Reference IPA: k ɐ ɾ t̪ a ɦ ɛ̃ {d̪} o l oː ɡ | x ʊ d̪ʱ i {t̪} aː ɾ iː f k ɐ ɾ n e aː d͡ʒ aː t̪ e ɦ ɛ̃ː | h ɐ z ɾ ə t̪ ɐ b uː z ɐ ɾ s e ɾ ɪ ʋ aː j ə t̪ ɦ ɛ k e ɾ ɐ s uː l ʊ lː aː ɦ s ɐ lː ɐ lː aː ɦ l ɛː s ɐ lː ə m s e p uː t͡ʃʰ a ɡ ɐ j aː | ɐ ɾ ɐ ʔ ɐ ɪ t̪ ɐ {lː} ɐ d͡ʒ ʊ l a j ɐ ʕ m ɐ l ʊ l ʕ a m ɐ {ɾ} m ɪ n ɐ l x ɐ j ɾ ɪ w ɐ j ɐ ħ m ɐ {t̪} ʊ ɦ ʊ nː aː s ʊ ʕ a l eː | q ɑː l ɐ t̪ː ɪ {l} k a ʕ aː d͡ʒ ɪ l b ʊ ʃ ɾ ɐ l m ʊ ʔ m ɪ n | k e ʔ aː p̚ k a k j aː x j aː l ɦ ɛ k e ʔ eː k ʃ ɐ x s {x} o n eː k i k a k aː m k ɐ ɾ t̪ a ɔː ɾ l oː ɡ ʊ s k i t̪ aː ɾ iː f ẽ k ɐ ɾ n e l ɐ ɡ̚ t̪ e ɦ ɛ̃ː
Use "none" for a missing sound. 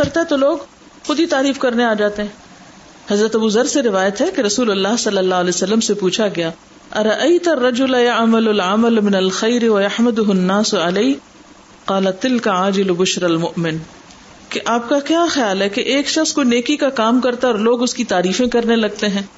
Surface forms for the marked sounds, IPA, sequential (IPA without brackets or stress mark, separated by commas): t̪, t̪, rː, l, d̪, l, k